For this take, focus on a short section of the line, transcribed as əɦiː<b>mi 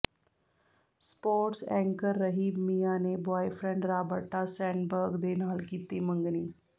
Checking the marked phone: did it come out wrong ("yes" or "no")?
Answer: no